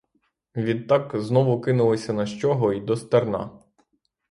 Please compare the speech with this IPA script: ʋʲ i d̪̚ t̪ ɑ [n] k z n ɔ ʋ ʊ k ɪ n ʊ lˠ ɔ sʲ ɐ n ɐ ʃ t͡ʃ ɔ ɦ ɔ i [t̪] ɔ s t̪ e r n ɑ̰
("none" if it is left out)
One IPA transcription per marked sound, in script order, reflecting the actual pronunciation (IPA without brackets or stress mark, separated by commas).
none, d̪